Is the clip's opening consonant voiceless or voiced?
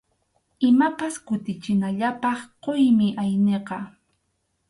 voiced